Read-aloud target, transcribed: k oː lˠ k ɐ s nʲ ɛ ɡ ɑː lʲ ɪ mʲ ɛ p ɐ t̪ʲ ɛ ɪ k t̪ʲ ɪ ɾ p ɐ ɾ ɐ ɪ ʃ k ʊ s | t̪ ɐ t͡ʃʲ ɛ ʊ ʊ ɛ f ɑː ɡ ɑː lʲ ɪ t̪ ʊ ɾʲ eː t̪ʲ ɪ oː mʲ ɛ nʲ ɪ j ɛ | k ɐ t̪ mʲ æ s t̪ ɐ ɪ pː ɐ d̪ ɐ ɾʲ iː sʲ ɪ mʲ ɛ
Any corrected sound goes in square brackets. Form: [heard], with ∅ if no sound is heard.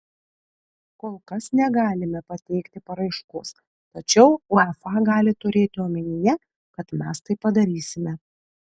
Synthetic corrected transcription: k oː lˠ k ɐ s nʲ ɛ ɡ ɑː lʲ ɪ mʲ ɛ p ɐ t̪ʲ ɛ ɪ k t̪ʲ ɪ [∅] p ɐ ɾ ɐ ɪ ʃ k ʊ s | t̪ ɐ t͡ʃʲ ɛ ʊ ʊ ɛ f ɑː ɡ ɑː lʲ ɪ t̪ ʊ ɾʲ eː t̪ʲ ɪ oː mʲ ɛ nʲ ɪ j ɛ | k ɐ t̪ mʲ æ s t̪ ɐ ɪ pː ɐ d̪ ɐ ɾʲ iː sʲ ɪ mʲ ɛ

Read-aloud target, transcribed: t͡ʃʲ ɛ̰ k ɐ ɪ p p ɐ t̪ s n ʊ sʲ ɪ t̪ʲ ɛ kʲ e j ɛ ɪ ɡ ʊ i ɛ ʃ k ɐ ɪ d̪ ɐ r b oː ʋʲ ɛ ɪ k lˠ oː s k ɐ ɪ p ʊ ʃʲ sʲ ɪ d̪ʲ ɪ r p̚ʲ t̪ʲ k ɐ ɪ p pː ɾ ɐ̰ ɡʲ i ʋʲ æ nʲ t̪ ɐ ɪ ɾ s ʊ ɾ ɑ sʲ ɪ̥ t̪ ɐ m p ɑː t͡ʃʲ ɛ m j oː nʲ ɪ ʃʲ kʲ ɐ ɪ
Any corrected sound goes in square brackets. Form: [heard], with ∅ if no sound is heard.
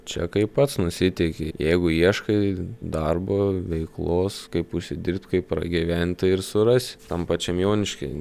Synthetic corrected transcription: t͡ʃʲ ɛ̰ k ɐ ɪ p p ɐ t̪ s n ʊ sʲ ɪ t̪ʲ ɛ kʲ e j ɛ ɪ ɡ ʊ i ɛ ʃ k ɐ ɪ d̪ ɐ r b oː ʋʲ ɛ ɪ k lˠ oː s k ɐ ɪ p ʊ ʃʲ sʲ ɪ d̪ʲ ɪ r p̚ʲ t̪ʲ k ɐ ɪ p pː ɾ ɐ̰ ɡʲ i ʋʲ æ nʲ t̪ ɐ ɪ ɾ s ʊ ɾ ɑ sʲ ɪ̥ t̪ ɐ m p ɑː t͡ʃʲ ɛ m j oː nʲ ɪ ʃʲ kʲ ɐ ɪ

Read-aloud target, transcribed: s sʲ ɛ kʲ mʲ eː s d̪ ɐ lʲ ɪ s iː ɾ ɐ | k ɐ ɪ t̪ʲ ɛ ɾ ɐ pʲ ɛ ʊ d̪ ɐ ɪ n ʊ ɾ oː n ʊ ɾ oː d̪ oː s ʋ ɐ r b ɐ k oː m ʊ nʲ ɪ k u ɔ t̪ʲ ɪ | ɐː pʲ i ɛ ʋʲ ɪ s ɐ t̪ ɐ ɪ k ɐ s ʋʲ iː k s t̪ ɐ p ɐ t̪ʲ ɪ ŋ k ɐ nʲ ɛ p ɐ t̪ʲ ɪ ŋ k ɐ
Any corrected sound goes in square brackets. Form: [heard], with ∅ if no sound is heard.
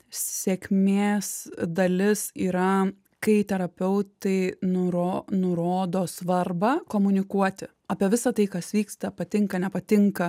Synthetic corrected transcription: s sʲ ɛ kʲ mʲ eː s d̪ ɐ lʲ ɪ s iː ɾ ɐ | k ɐ ɪ t̪ʲ ɛ ɾ ɐ pʲ ɛ ʊ [t̪] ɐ ɪ n ʊ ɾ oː n ʊ ɾ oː d̪ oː s ʋ ɐ r b ɐ k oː m ʊ nʲ ɪ k u ɔ t̪ʲ ɪ | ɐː pʲ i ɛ ʋʲ ɪ s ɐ t̪ ɐ ɪ k ɐ s ʋʲ iː k s t̪ ɐ p ɐ t̪ʲ ɪ ŋ k ɐ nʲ ɛ p ɐ t̪ʲ ɪ ŋ k ɐ

